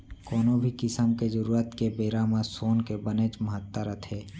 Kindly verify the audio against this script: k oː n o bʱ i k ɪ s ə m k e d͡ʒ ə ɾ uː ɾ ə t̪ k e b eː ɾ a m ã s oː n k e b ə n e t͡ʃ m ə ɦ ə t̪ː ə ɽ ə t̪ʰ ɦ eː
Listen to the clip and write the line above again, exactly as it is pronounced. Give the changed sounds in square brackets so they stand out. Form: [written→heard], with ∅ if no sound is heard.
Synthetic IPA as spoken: k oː n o bʱ i k ɪ s ə m k e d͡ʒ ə ɾ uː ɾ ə t̪ k e b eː ɾ a m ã s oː n k e b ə n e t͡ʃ m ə ɦ ə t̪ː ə [ɽ→ɾ] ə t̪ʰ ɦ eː